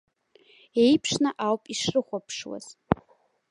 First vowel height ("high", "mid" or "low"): mid